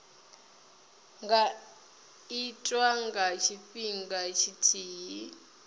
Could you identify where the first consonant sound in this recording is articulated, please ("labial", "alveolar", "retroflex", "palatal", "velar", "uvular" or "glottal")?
velar